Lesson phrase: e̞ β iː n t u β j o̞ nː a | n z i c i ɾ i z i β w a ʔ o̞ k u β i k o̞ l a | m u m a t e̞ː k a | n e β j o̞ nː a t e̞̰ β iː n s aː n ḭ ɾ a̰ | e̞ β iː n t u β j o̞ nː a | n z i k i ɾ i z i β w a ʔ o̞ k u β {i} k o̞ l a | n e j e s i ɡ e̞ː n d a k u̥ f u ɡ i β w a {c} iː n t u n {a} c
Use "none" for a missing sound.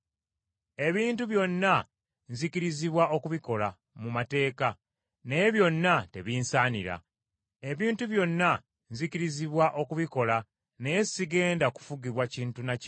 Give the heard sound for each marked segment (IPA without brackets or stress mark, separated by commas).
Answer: i, c, a